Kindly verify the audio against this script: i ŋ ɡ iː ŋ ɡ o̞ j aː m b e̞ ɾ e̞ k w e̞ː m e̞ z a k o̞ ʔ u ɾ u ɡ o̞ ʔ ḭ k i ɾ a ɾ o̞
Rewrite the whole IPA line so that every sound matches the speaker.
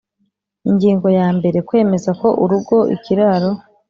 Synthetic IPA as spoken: i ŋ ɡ iː ŋ ɡ o̞ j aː m b e̞ ɾ e̞ k w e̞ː m e̞ z a k o̞ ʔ u ɾ u ɡ o̞ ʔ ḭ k i ɾ a ɾ o̞